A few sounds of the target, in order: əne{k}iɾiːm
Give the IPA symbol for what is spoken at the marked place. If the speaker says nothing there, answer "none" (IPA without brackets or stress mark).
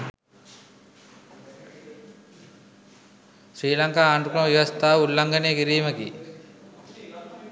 k